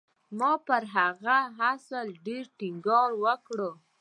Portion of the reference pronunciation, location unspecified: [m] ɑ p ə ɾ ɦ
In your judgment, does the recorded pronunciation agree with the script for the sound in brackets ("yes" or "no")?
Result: yes